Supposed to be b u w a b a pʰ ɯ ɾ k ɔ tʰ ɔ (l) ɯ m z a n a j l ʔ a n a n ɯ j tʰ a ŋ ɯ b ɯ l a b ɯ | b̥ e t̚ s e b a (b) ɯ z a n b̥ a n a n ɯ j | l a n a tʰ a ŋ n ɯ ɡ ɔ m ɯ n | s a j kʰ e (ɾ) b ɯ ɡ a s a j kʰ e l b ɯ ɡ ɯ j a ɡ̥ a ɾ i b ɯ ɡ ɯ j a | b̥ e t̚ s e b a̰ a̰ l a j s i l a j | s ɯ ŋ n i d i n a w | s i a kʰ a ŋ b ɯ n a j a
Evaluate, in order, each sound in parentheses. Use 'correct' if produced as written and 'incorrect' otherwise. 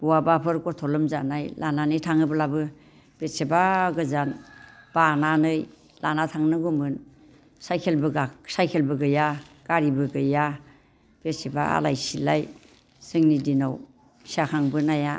correct, incorrect: ɡ, incorrect: l

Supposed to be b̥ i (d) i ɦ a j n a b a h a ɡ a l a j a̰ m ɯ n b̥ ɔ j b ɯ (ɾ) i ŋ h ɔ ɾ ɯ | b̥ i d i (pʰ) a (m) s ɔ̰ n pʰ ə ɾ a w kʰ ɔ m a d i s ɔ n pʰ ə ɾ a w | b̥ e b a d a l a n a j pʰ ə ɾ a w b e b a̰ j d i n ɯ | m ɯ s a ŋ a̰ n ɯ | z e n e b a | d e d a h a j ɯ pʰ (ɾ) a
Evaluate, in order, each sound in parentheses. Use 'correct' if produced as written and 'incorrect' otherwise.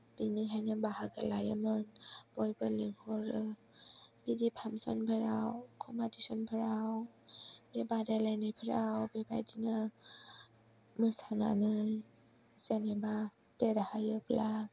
incorrect: n, incorrect: l, correct, correct, incorrect: l

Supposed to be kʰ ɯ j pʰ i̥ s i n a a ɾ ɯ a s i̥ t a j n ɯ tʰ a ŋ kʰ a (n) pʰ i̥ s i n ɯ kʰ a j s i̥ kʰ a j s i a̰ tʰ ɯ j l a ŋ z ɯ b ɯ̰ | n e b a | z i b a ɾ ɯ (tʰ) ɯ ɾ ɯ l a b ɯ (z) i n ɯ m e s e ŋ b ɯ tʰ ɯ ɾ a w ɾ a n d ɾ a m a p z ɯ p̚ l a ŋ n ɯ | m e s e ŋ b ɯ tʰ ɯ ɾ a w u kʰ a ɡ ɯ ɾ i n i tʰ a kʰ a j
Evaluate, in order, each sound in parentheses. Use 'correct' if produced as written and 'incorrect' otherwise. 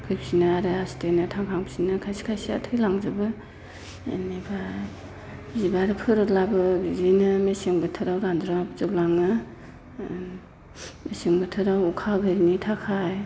incorrect: ŋ, incorrect: pʰ, correct

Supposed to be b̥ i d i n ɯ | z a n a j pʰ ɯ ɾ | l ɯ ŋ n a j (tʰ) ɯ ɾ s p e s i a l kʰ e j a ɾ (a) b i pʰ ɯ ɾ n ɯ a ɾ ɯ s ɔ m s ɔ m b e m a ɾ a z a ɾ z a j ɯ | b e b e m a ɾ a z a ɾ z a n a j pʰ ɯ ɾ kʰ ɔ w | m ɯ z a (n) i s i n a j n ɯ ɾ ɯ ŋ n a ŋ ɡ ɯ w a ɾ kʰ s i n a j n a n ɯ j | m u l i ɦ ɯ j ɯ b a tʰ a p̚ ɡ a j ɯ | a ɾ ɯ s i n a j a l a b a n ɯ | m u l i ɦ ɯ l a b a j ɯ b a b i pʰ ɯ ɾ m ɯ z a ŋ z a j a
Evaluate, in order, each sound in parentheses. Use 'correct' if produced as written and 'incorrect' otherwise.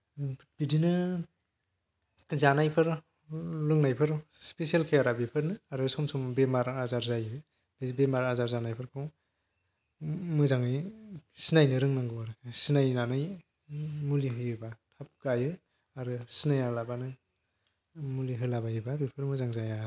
incorrect: pʰ, correct, incorrect: ŋ

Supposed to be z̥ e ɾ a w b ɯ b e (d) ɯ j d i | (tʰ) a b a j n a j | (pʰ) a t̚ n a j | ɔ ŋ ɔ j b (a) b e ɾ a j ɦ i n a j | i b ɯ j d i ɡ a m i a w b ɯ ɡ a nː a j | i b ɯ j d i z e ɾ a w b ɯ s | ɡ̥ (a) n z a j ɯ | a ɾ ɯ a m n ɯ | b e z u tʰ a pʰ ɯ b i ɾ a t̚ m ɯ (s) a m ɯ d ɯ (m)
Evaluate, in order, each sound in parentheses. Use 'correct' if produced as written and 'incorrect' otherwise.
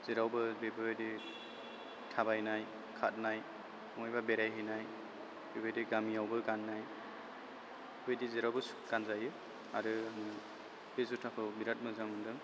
incorrect: b, correct, incorrect: kʰ, correct, correct, incorrect: z, incorrect: ŋ

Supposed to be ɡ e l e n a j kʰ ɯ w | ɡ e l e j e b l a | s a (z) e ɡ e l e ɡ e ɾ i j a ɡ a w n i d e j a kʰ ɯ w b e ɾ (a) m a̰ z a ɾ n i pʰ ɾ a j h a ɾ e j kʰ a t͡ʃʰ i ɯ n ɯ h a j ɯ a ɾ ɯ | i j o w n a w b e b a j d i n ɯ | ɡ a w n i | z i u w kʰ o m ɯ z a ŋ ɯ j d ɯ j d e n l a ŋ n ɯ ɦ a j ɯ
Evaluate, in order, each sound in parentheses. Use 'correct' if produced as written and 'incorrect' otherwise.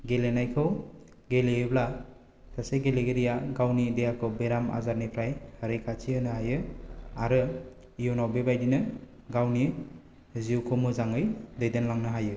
incorrect: s, correct

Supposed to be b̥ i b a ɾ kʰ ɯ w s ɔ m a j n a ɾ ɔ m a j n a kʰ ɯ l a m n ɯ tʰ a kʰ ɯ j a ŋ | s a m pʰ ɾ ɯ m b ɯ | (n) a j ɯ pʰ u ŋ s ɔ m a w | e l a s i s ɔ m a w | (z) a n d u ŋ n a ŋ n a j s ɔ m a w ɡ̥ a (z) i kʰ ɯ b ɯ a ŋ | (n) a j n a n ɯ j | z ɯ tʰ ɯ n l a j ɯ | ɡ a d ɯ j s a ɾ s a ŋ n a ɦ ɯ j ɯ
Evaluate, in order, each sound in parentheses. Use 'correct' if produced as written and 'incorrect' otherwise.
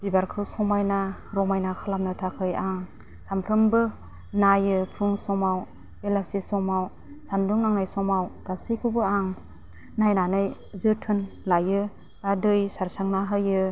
correct, incorrect: s, incorrect: s, correct

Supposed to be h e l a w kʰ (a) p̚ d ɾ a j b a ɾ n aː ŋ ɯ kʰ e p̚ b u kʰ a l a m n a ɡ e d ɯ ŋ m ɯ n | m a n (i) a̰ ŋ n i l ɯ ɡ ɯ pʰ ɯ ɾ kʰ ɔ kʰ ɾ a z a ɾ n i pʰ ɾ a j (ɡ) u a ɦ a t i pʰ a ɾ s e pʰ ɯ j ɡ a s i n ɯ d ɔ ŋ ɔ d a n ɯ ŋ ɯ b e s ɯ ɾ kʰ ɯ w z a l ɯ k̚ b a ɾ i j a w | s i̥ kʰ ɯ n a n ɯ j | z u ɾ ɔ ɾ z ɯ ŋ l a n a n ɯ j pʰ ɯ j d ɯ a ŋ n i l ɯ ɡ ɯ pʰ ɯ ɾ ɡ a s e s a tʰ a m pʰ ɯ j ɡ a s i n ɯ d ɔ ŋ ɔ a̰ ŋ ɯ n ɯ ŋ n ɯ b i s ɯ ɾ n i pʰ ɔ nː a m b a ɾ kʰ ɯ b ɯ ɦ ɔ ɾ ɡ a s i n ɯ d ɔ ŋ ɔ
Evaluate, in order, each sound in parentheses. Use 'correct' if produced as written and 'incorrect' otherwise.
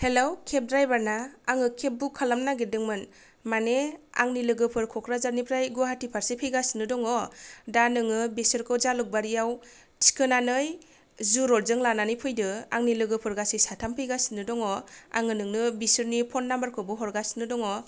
incorrect: e, incorrect: e, correct

